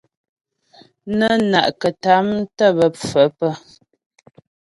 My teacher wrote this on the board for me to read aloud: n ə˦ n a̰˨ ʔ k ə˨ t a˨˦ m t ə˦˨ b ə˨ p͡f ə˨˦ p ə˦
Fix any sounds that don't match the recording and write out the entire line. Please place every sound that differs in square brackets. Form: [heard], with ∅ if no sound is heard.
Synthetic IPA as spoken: n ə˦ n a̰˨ ʔ k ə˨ t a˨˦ m t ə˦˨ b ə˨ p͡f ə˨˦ p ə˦